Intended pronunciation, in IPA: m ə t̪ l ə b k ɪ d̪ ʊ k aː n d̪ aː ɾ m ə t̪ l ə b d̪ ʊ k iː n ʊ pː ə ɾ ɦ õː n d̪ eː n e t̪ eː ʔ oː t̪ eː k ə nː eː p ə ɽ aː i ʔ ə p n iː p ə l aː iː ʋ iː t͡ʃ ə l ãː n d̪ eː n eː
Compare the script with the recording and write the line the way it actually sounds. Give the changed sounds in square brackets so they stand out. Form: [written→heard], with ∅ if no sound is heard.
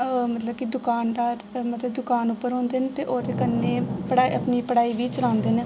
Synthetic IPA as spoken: m ə t̪ l ə b k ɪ d̪ ʊ k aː n d̪ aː ɾ m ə t̪ l ə b d̪ ʊ k [iː→aː] n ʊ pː ə ɾ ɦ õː n d̪ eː n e t̪ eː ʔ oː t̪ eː k ə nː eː p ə ɽ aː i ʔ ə p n iː p ə [l→ɽ] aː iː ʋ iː t͡ʃ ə l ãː n d̪ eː n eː